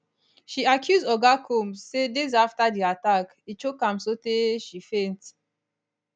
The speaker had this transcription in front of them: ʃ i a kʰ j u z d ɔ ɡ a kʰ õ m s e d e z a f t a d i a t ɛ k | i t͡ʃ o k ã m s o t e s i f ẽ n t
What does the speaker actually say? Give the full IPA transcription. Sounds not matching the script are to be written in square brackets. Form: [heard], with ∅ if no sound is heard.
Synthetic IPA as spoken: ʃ i a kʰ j u z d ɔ ɡ a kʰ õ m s e d e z a f t a d i a t [a] k | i t͡ʃ o k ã m s o t e [ʃ] i f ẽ n t